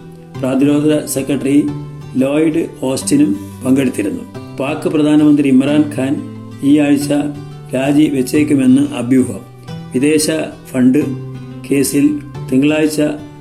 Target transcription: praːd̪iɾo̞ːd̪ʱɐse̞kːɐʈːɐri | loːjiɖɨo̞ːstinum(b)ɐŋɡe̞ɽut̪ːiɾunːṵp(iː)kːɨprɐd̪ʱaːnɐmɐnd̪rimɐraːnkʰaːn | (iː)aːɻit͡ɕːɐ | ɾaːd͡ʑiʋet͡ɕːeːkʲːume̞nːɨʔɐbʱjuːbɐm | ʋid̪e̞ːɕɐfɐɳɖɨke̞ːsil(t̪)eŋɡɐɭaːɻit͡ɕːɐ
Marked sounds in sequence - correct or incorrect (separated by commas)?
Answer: incorrect, incorrect, correct, correct